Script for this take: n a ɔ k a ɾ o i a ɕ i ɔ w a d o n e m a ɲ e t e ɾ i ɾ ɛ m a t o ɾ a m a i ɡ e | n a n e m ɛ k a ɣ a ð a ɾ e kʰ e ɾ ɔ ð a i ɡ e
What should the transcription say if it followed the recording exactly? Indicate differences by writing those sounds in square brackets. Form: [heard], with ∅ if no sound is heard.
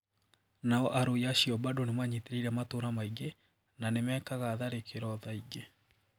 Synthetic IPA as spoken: n a ɔ [ʔ] a ɾ o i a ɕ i ɔ [b] a d o n e m a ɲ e t e ɾ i ɾ ɛ m a t o ɾ a m a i ɡ e | n a n e m ɛ k a ɣ a ð a ɾ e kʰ e ɾ ɔ ð a i ɡ e